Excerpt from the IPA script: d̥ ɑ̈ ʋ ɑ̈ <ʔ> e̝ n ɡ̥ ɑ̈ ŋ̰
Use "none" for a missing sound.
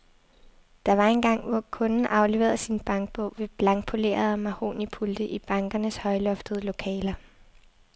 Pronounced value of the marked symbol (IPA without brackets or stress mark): none